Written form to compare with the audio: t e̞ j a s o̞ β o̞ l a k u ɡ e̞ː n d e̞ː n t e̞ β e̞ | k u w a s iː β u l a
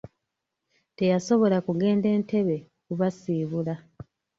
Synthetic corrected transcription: t e̞ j a s o̞ β o̞ l a k u ɡ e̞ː n d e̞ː n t e̞ β e̞ | k u β a s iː β u l a